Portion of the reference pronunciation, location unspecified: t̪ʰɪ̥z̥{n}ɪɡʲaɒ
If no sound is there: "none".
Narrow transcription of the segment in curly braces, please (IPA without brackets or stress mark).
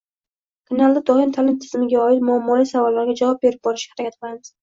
m